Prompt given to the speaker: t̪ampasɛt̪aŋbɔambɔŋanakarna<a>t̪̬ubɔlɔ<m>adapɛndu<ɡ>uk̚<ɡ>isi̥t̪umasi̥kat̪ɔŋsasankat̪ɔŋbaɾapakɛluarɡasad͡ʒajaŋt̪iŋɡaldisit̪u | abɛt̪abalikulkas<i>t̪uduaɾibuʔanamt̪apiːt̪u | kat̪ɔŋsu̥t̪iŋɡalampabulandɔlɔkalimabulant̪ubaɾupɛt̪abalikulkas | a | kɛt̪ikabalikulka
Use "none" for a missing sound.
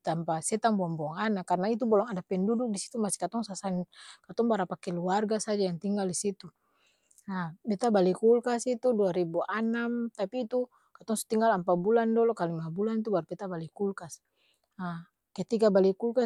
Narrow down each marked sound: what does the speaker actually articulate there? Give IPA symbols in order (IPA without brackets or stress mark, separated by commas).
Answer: i, ŋ, d, d, i